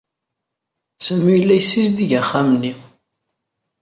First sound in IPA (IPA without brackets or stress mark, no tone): s